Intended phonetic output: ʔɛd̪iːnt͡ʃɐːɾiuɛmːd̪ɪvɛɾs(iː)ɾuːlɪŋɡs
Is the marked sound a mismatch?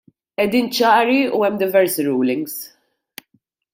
yes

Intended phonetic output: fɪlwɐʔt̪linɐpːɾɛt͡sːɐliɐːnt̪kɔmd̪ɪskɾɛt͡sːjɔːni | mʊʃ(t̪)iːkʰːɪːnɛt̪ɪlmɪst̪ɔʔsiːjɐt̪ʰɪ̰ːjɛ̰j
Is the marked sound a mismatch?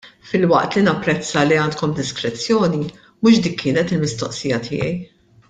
yes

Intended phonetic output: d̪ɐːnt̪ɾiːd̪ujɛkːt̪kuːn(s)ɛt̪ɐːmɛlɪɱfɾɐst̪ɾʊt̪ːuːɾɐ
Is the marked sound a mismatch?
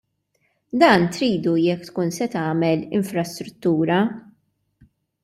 no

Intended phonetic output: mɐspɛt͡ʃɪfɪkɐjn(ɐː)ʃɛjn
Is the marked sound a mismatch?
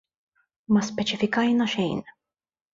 yes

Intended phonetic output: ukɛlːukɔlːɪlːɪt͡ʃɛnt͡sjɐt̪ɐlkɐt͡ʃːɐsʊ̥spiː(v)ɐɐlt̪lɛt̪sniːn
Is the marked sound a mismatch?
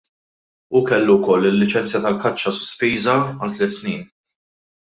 yes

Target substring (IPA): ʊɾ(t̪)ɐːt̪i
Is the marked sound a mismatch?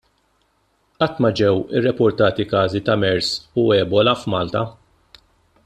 no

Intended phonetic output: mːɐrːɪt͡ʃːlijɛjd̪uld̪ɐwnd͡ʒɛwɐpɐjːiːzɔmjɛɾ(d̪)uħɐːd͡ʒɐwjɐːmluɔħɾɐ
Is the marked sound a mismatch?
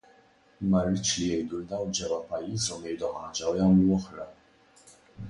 no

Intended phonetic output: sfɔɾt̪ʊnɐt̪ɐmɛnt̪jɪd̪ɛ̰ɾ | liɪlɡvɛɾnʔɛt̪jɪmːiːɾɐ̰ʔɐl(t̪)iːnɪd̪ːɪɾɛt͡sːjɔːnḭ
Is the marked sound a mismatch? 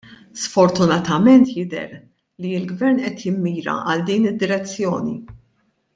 yes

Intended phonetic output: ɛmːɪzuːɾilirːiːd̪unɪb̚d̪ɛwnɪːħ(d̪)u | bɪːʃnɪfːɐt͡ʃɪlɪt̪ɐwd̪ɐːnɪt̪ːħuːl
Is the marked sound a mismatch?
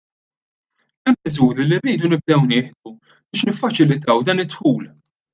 no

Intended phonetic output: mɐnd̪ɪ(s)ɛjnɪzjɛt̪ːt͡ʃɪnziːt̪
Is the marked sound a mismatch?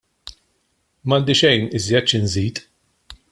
yes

